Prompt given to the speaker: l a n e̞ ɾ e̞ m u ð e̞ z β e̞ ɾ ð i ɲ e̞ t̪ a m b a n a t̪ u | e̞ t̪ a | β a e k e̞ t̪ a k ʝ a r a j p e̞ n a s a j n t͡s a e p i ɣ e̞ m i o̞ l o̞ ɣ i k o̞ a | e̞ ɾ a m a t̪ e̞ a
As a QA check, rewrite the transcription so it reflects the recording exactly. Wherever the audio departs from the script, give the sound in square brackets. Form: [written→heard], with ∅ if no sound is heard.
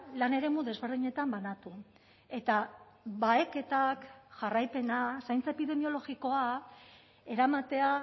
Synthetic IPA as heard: l a n e̞ ɾ e̞ m u ð e̞ z β e̞ ɾ ð i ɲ e̞ t̪ a m b a n a t̪ u | e̞ t̪ a | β a e k e̞ t̪ a k ʝ a r a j p e̞ n a s a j n t͡s a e p i [ɣ→ð] e̞ m i o̞ l o̞ ɣ i k o̞ a | e̞ ɾ a m a t̪ e̞ a